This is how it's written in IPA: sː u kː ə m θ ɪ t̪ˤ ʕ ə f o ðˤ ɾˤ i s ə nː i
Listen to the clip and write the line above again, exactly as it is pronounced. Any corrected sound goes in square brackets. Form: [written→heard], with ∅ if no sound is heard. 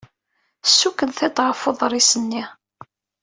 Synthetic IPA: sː u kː ə [m→n] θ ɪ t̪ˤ [ʕ→ʁ] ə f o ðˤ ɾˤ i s ə nː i